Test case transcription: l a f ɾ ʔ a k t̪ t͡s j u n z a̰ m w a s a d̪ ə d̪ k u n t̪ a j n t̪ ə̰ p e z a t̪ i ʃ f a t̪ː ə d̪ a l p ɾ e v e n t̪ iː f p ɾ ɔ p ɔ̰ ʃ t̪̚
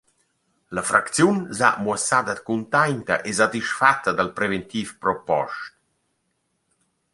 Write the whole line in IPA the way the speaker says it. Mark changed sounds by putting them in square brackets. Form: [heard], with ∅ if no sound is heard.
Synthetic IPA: l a f ɾ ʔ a k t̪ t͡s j u n z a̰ m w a s a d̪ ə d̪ k u n t̪ a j n t̪ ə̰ [ʔ] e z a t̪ i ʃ f a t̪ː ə d̪ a l p ɾ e v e n t̪ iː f p ɾ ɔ p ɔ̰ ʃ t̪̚